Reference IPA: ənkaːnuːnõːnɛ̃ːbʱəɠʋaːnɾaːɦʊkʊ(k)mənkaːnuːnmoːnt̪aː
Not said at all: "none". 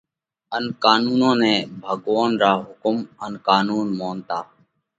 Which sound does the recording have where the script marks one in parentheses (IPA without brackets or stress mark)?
none